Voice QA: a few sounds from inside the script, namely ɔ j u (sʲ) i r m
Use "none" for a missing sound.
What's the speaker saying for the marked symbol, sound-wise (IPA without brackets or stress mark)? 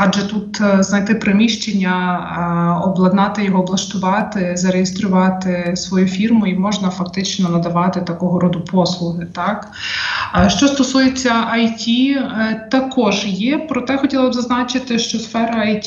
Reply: fʲ